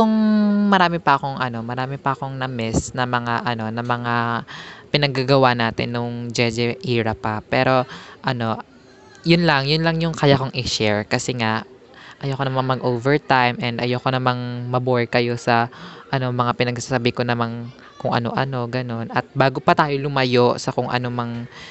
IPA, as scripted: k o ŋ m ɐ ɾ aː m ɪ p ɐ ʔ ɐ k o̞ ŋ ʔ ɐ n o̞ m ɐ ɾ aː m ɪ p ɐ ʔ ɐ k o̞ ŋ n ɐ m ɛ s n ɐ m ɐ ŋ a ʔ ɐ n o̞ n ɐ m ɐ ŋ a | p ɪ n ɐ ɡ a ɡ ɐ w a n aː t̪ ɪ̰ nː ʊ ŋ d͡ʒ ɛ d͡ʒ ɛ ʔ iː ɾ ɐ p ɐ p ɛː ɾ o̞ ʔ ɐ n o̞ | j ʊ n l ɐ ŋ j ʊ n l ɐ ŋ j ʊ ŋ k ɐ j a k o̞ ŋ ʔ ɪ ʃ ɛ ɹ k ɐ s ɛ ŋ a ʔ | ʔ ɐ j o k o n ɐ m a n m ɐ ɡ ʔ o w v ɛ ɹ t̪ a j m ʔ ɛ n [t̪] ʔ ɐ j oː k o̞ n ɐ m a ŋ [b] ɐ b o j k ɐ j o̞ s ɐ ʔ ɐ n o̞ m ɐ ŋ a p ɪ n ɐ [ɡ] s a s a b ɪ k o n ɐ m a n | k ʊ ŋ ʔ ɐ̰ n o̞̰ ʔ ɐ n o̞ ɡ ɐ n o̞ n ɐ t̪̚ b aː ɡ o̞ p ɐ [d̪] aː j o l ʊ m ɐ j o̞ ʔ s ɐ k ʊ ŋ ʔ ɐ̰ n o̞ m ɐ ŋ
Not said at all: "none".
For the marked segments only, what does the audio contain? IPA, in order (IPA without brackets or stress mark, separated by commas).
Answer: d̪, m, ɡ, t̪